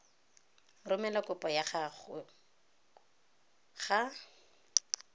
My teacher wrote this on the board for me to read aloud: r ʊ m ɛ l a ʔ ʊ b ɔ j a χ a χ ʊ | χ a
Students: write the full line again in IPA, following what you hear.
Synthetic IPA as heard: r ʊ m ɛ l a k ʊ p ɔ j a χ a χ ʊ | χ a